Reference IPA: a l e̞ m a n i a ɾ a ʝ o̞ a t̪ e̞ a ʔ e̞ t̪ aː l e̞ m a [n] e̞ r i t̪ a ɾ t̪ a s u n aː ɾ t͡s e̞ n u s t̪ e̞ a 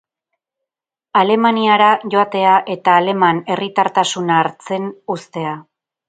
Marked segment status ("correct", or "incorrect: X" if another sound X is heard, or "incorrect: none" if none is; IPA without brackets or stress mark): correct